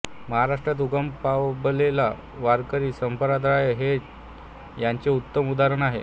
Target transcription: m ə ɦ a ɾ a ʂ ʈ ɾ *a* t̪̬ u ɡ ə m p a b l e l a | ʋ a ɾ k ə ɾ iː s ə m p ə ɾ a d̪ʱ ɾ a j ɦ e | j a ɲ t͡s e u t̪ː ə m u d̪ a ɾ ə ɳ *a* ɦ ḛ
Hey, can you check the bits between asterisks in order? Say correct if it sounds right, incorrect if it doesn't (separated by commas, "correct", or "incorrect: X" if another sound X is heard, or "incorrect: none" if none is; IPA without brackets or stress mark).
correct, correct